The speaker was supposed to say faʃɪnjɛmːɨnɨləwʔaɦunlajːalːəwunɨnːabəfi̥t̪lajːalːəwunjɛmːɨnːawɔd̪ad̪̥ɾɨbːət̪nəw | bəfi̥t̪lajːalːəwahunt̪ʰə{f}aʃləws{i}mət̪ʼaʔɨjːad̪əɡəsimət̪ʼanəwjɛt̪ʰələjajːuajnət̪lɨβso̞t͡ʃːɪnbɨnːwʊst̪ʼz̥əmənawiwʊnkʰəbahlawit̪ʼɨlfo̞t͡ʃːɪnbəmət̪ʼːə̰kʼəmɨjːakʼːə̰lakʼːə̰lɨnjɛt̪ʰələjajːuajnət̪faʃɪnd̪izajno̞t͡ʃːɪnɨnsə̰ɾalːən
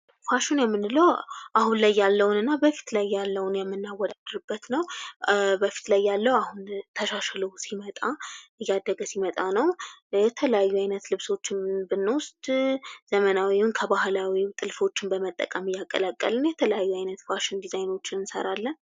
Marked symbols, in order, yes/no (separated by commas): no, yes